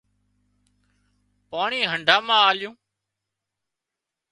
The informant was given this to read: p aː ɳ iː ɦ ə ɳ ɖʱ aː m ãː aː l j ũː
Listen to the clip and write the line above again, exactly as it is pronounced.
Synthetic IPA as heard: p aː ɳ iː ɦ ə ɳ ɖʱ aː m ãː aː l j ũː